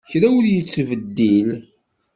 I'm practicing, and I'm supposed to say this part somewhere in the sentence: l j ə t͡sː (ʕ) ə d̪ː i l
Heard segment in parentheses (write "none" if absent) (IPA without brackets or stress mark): v